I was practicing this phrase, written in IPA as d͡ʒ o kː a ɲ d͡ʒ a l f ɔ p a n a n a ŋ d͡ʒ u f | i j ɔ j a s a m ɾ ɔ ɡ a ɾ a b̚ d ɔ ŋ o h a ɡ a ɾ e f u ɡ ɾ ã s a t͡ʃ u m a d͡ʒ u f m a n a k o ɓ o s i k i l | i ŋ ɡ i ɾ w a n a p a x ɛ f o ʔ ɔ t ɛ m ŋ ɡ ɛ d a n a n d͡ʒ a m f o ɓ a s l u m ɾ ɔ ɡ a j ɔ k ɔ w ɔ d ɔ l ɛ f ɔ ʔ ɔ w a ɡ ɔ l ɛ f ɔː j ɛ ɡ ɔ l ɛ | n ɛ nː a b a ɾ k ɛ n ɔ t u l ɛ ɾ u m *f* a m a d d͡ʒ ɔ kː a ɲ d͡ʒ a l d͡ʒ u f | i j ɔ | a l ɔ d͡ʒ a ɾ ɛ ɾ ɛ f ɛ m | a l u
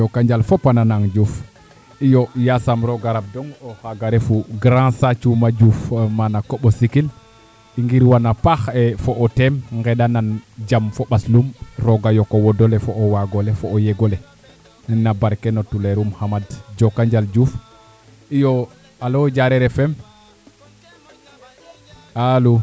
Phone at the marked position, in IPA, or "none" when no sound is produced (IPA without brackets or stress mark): h